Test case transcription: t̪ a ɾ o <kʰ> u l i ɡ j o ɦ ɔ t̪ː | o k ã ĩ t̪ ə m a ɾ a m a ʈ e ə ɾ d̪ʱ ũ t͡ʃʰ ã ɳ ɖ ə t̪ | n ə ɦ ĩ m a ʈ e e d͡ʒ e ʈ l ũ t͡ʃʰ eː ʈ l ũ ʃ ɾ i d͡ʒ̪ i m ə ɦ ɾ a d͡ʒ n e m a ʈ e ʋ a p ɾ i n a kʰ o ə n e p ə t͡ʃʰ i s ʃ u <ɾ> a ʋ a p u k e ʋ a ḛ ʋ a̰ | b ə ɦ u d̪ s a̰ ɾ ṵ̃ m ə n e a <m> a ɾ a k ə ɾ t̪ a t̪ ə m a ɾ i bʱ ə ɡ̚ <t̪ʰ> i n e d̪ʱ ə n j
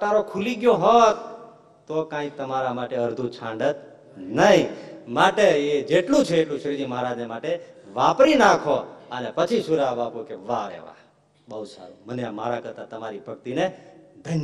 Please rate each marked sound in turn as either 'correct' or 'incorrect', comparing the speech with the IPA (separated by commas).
correct, correct, correct, incorrect